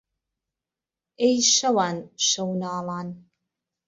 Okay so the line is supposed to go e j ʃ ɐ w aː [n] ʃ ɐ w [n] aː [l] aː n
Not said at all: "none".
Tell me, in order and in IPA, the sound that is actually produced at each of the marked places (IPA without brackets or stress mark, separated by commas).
n, n, l